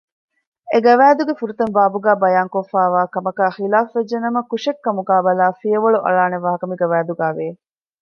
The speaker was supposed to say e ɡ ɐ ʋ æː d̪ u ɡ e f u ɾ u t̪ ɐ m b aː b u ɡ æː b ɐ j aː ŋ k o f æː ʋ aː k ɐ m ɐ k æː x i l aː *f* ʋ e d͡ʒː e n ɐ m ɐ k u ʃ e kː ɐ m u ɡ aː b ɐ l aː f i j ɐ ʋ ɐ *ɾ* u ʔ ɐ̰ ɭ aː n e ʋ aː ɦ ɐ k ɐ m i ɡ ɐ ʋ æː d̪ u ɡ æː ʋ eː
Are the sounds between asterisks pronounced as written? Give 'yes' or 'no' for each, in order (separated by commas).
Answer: yes, no